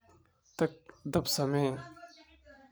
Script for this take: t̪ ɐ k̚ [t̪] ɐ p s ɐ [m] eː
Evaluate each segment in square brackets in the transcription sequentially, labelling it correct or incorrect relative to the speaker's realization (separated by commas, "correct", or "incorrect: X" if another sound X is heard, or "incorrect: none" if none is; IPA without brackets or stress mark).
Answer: incorrect: d̪, correct